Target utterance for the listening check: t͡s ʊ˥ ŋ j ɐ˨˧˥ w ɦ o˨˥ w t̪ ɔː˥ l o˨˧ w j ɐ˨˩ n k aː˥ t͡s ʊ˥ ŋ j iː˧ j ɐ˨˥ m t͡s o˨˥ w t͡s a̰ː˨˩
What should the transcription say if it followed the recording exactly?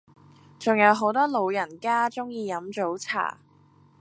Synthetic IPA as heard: t͡s ʊ˨ ŋ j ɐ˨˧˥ w ɦ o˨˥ w t̪ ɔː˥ l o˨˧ w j ɐ˨˩ n k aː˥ t͡s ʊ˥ ŋ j iː˧ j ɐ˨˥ m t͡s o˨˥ w t͡sʰ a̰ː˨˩